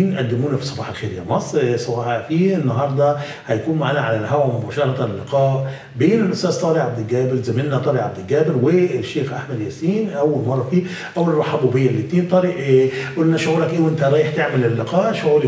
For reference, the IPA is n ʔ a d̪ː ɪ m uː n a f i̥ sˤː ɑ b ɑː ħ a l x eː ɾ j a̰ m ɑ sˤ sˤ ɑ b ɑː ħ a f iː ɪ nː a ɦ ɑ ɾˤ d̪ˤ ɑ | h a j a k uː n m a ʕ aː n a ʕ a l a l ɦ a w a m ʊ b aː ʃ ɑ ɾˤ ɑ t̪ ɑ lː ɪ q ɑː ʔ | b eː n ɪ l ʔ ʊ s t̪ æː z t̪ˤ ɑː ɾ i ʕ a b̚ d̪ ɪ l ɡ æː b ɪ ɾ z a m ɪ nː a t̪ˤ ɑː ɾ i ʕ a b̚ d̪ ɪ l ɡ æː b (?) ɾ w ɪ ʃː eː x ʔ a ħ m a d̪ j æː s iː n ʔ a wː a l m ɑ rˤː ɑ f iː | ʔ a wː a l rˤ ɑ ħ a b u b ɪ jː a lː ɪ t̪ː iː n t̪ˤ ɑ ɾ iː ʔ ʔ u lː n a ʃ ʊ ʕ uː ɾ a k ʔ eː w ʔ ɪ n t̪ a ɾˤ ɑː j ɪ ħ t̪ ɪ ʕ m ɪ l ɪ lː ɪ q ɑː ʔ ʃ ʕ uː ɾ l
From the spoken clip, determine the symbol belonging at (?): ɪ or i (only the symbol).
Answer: ɪ